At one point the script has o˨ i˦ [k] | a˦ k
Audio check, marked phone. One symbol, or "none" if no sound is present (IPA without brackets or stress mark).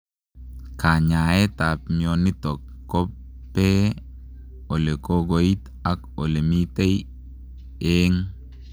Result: t